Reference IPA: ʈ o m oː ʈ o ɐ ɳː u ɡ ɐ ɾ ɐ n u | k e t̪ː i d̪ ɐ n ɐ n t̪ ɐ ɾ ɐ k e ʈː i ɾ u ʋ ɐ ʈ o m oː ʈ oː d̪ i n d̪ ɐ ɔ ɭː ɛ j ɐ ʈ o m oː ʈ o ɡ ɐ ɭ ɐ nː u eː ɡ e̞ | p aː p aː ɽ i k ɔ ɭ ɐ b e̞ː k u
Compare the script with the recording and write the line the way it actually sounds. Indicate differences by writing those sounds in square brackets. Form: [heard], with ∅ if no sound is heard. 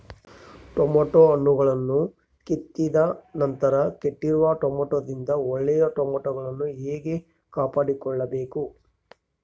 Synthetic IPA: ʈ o m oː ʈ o ɐ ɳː u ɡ ɐ [ɭ] ɐ [nː] u | k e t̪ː i d̪ ɐ n ɐ n t̪ ɐ ɾ ɐ k e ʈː i ɾ u ʋ ɐ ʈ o m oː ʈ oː d̪ i n d̪ ɐ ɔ ɭː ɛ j ɐ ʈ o m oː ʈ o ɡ ɐ ɭ ɐ nː u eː ɡ e̞ | [k] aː p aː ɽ i k ɔ [ɭː] ɐ b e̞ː k u